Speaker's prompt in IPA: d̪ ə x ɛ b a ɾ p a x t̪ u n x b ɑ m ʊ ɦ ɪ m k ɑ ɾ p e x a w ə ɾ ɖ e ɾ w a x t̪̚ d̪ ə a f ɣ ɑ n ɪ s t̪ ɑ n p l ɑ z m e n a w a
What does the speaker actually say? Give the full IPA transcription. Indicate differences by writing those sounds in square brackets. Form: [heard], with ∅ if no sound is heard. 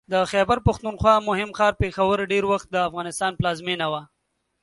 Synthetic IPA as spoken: d̪ ə x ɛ b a ɾ p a x t̪ u n x [w] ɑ m ʊ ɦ ɪ m [x] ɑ ɾ p e x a w ə ɾ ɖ e ɾ w a x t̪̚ d̪ ə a f ɣ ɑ n ɪ s t̪ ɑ n p l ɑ z m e n a w a